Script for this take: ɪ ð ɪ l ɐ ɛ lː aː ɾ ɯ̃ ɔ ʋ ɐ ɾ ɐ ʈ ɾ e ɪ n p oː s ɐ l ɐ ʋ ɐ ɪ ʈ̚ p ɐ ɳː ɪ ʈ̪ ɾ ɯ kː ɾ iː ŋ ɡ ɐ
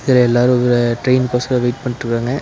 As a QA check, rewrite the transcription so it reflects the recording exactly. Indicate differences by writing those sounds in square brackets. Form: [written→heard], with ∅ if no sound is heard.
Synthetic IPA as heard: ɪ ð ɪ l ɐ ɛ lː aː ɾ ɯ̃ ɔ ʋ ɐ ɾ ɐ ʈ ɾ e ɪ n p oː s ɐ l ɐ ʋ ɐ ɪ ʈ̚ p ɐ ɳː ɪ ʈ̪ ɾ ɯ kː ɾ [iː→aː] ŋ ɡ ɐ